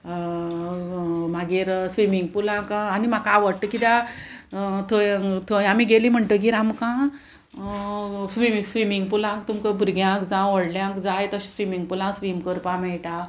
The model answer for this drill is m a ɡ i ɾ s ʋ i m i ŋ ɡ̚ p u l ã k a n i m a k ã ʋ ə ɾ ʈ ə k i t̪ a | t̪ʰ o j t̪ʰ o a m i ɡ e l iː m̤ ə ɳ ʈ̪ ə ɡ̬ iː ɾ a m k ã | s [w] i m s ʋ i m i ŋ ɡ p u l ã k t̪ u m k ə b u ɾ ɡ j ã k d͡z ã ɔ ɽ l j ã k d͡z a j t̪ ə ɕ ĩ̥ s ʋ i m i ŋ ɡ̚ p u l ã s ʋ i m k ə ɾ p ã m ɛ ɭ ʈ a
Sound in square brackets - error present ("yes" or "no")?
yes